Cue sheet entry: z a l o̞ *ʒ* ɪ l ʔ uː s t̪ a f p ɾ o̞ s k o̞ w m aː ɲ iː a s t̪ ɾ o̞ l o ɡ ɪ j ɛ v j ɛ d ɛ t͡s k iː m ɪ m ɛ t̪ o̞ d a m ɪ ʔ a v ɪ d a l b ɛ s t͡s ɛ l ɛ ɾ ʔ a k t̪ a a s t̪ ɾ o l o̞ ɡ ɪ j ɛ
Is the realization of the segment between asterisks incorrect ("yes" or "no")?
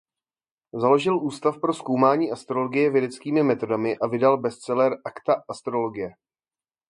no